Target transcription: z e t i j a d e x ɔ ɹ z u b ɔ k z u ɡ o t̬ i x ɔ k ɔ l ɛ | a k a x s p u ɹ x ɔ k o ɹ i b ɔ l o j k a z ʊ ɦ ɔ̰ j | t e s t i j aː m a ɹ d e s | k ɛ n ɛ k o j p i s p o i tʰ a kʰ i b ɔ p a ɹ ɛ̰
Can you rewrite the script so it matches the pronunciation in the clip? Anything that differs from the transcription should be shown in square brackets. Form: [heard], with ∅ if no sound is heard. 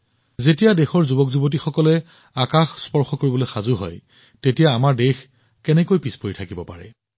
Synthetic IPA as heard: z e t i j a d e x ɔ ɹ z u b ɔ k z u [b] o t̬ i x ɔ k ɔ l ɛ | a k a x s p [ɔ] ɹ x ɔ k o ɹ i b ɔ l o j [x] a z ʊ ɦ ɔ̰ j | t e [∅] t i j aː m a ɹ d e [x] | k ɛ n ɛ k o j p i s p o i tʰ a [k] i b ɔ p a ɹ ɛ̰